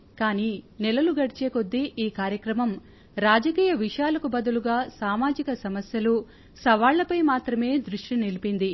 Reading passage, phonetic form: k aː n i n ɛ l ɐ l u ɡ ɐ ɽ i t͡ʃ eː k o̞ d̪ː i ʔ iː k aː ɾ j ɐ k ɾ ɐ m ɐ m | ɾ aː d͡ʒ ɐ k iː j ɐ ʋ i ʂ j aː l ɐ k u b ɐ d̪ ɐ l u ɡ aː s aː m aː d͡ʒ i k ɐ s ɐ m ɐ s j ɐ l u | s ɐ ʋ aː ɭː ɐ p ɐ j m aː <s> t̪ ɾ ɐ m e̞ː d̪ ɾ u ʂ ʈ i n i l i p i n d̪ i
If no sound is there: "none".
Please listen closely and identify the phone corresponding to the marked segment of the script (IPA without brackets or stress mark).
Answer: none